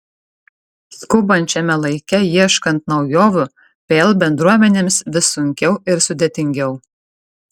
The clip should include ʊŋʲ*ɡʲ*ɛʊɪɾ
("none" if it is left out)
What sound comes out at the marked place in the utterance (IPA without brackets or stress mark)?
kʲ